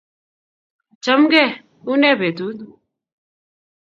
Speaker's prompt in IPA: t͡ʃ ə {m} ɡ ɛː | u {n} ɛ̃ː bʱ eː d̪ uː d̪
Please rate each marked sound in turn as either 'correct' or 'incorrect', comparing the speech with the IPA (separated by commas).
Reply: correct, correct